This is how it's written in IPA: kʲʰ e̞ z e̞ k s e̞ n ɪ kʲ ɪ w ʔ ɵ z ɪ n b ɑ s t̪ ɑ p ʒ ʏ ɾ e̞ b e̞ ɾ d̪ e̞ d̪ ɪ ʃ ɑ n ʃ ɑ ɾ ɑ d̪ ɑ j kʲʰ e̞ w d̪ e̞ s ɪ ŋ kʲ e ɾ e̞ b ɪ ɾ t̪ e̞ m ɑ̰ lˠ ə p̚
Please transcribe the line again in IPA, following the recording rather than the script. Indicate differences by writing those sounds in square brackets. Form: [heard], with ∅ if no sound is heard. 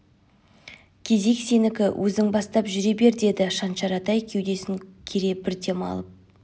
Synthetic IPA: kʲʰ e̞ z e̞ k s e̞ n ɪ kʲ ɪ w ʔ ɵ z ɪ [ŋ] b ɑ s t̪ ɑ p ʒ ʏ ɾ e̞ b e̞ ɾ d̪ e̞ d̪ ɪ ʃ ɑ n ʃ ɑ ɾ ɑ [t̪] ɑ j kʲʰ e̞ w d̪ e̞ s ɪ ŋ [kʲʰ] e ɾ e̞ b ɪ ɾ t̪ e̞ m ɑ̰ lˠ ə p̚